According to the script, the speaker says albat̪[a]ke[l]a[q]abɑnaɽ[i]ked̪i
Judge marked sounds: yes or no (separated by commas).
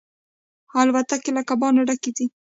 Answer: yes, yes, no, no